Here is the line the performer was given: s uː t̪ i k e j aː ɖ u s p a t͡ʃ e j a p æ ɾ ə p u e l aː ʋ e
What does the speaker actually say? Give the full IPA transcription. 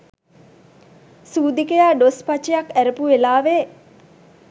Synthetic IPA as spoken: s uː d̪ i k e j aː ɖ o s p a t͡ʃ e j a k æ ɾ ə p u e l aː ʋ e